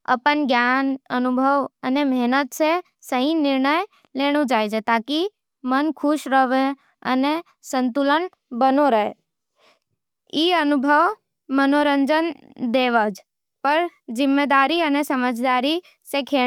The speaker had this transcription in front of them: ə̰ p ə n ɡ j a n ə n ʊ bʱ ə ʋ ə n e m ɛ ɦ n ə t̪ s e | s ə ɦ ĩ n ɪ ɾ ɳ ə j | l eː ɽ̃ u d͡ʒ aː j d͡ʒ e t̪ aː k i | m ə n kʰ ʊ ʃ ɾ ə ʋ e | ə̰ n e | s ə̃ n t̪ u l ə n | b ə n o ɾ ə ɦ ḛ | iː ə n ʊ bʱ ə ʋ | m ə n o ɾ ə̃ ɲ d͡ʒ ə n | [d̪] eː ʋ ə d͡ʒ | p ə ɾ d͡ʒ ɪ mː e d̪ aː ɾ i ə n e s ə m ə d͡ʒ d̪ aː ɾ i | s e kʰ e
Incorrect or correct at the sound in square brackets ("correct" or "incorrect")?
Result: correct